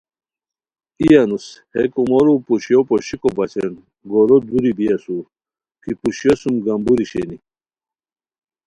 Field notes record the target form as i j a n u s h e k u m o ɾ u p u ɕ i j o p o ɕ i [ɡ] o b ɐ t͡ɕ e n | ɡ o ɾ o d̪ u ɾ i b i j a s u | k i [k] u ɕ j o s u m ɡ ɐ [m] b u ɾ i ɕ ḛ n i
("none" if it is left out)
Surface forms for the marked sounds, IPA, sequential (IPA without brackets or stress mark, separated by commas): k, p, m